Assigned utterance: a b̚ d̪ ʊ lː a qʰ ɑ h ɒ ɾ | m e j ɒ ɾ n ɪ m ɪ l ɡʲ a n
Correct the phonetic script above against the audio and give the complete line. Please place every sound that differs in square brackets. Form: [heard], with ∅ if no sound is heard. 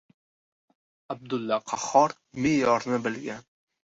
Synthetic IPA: a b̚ d̪ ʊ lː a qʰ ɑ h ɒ ɾ | m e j ɒ ɾ n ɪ [b] ɪ l ɡʲ a n